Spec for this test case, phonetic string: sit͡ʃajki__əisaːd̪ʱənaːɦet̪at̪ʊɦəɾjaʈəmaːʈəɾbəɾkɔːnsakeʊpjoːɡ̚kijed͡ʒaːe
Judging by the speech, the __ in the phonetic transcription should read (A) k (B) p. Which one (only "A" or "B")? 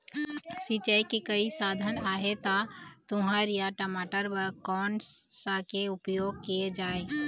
A